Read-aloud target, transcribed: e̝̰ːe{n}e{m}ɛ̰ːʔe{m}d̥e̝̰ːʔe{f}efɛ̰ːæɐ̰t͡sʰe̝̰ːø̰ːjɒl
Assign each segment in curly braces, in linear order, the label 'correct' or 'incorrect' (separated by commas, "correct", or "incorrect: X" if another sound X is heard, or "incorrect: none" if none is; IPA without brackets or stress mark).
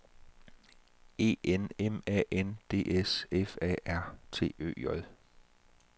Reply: correct, correct, incorrect: n, incorrect: s